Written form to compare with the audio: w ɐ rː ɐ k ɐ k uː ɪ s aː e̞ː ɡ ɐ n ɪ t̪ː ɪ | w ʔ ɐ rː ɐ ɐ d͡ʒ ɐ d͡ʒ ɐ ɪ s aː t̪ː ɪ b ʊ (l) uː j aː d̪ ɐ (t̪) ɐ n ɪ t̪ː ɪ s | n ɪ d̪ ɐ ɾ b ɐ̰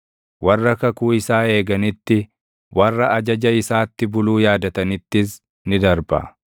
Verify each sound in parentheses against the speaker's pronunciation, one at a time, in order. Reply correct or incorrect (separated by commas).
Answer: correct, correct